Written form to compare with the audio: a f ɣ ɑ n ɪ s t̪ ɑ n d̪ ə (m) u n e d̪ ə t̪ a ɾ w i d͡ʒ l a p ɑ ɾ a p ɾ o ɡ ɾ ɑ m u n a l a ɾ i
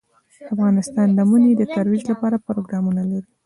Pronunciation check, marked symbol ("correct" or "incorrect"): correct